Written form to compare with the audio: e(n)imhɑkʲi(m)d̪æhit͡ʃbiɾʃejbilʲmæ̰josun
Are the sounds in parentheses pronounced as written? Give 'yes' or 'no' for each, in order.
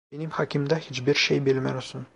yes, yes

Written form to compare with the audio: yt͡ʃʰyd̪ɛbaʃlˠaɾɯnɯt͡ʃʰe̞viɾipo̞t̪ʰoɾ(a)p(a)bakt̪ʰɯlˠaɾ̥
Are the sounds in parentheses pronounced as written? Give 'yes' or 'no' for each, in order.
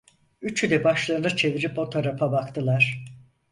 yes, yes

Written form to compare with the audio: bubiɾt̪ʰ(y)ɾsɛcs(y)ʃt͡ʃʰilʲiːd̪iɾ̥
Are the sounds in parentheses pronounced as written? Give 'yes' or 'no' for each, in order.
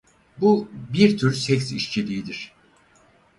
yes, no

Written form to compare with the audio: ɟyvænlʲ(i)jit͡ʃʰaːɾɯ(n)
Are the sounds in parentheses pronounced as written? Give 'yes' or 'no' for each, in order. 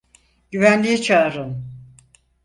yes, yes

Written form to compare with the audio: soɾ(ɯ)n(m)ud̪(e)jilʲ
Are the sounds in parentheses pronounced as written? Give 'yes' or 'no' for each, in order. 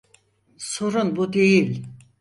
no, no, yes

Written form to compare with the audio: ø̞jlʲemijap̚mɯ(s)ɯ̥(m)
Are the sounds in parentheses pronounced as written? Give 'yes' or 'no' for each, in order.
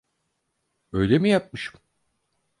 no, yes

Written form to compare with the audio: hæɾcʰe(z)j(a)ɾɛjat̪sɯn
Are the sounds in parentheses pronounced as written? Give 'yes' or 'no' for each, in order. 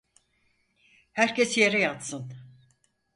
no, no

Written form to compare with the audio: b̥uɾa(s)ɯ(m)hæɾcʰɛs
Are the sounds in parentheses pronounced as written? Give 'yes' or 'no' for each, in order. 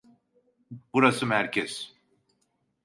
yes, yes

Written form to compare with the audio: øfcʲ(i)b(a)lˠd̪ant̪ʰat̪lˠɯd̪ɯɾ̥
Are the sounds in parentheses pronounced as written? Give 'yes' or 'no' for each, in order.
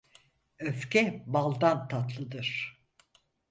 no, yes

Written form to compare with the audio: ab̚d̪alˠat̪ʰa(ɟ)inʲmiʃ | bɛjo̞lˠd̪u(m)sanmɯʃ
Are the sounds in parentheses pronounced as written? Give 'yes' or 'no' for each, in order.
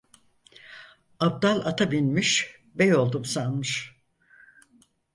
no, yes

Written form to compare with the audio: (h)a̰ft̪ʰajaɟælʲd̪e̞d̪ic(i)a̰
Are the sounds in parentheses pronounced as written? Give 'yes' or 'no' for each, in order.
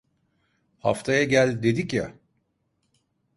yes, no

